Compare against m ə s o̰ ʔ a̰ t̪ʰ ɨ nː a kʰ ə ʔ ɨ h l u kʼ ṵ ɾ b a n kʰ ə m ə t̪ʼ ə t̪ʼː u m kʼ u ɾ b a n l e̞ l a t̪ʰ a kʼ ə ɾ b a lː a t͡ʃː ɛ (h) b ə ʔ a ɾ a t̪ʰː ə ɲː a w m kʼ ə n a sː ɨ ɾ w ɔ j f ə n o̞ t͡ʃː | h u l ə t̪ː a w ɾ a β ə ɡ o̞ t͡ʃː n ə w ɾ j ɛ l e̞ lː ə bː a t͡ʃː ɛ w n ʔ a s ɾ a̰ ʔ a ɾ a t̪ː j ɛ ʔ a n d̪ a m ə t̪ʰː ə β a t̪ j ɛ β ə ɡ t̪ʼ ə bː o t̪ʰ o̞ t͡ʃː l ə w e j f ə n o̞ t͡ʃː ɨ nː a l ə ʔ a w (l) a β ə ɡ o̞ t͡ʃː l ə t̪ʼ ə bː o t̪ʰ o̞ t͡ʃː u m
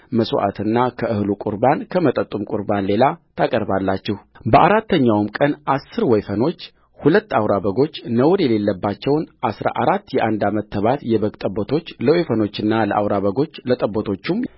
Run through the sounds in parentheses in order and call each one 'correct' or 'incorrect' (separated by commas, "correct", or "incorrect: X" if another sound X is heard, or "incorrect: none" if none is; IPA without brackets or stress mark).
correct, incorrect: ɾ